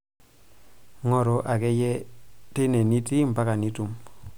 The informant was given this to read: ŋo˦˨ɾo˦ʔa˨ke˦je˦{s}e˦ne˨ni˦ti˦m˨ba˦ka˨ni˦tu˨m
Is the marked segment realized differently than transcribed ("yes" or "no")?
yes